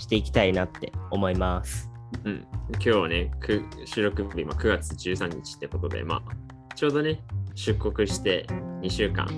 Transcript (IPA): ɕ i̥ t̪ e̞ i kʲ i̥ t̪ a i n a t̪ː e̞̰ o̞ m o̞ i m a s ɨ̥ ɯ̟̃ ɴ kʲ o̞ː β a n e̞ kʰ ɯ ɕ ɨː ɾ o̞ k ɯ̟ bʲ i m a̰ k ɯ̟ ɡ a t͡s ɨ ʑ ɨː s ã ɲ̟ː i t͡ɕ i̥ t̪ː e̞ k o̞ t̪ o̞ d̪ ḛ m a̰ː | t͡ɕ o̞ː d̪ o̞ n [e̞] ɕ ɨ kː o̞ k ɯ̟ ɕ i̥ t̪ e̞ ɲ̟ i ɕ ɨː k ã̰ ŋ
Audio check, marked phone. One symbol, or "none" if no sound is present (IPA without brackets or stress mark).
e̞